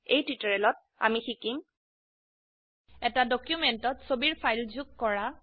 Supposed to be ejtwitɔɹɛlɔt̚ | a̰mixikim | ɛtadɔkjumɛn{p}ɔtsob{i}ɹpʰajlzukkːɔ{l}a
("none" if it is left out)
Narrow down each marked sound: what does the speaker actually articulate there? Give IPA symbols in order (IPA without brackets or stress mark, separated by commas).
t, i, ɹ